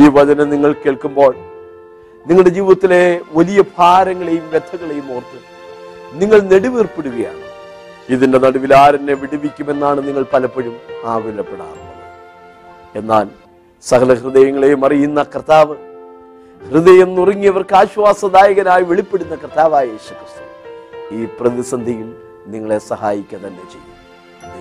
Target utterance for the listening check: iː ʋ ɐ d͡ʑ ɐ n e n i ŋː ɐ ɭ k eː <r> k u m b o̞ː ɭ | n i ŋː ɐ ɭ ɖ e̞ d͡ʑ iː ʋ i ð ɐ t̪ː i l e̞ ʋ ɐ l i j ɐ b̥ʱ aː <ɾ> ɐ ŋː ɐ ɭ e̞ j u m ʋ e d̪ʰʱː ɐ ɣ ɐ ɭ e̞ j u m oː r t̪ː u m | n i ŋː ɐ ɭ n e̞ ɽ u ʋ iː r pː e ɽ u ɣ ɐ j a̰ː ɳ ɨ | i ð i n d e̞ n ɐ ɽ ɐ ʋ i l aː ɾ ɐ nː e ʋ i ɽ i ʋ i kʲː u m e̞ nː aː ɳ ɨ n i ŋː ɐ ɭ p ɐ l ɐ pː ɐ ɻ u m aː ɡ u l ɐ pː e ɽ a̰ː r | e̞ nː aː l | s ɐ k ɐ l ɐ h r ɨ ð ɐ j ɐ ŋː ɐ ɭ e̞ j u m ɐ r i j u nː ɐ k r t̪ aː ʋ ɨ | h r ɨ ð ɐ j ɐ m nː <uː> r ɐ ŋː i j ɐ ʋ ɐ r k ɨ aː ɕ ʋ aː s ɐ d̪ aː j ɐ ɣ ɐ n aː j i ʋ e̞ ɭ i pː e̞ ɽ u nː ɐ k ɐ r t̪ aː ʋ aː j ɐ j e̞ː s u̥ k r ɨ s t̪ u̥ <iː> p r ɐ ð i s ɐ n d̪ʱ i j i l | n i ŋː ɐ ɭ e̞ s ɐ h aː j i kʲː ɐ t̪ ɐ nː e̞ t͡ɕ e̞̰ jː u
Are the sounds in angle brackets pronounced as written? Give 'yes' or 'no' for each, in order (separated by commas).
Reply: no, yes, no, yes